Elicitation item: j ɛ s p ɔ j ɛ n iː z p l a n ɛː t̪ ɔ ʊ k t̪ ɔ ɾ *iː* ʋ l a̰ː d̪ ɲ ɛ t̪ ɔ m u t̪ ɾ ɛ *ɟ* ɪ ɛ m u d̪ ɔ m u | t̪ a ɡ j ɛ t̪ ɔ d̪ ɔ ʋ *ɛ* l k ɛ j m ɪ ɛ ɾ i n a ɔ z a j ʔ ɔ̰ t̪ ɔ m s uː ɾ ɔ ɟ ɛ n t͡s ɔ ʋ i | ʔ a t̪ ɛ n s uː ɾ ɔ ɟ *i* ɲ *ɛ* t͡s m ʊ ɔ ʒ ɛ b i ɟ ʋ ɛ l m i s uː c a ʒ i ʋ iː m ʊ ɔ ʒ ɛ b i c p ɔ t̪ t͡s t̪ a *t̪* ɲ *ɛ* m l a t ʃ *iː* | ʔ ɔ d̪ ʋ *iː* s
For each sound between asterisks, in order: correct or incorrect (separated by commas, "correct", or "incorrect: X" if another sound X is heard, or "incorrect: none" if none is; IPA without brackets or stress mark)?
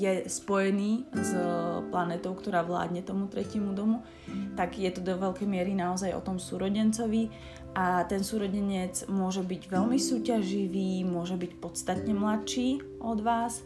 incorrect: aː, incorrect: c, correct, incorrect: ɛ, correct, correct, correct, correct, incorrect: aː